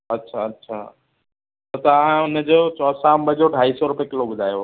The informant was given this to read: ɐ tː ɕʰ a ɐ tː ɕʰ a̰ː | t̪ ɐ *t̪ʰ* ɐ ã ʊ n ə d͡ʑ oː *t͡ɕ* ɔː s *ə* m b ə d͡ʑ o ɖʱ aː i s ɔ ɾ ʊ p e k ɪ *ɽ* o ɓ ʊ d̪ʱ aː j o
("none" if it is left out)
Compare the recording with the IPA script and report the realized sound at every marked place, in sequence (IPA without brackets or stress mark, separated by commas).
t̪, t͡ɕ, a, l